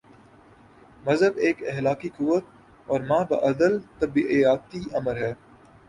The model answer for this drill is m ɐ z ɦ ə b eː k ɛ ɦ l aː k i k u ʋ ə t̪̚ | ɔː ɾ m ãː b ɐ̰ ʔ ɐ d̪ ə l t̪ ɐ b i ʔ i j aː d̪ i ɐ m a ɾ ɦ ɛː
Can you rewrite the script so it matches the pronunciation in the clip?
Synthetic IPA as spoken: m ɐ z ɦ ə b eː k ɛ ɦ l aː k i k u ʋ ə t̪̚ | ɔː ɾ m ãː b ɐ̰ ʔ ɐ d̪ ə l t̪ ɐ b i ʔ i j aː t̪ i ɐ m ə ɾ ɦ ɛː